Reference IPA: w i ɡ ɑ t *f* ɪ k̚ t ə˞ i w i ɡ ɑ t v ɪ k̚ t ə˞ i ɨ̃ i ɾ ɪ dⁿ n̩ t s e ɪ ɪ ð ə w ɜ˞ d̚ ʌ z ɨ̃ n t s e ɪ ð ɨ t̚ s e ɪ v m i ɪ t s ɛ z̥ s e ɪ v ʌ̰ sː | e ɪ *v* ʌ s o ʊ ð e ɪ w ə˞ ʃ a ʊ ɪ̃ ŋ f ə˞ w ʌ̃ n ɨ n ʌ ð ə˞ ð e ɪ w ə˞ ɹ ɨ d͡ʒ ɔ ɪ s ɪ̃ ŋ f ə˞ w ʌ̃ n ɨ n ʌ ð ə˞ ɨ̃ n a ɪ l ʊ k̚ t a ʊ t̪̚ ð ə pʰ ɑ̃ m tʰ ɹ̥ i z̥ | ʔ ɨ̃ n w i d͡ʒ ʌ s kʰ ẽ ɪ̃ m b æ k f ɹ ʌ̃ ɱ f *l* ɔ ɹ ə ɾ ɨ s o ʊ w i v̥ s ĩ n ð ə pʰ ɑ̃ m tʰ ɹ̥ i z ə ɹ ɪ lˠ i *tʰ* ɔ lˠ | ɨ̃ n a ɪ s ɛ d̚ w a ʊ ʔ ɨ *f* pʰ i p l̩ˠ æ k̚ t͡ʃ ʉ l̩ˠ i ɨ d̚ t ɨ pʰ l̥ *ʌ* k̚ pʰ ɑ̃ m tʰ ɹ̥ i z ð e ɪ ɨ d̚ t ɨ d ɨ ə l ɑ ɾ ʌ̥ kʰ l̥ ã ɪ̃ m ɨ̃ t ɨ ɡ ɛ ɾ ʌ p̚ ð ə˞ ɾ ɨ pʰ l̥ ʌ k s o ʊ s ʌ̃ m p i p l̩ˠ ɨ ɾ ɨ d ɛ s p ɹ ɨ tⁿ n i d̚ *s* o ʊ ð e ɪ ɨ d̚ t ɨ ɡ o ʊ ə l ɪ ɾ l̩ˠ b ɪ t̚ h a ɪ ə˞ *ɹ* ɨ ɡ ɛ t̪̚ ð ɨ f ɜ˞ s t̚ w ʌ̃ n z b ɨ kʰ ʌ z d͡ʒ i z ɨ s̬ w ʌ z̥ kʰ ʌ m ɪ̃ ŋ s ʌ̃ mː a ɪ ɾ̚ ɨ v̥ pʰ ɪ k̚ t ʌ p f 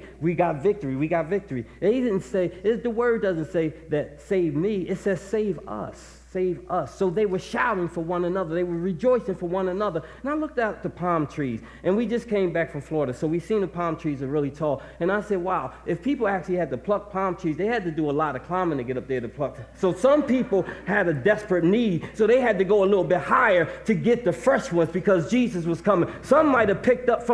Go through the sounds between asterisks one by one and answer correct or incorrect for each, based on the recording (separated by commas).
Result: incorrect, correct, correct, correct, correct, correct, correct, incorrect